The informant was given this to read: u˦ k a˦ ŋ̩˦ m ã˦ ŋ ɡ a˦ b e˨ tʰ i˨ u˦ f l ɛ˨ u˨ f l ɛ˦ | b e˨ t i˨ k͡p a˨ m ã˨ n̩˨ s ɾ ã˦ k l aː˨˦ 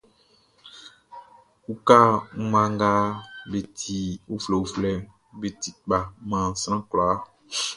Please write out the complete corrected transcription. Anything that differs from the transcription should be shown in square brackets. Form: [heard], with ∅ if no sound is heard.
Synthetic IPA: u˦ k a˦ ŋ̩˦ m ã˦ ŋ ɡ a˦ b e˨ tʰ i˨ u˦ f l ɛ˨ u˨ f l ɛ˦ | b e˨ t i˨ k͡p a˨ m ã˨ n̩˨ s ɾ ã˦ k l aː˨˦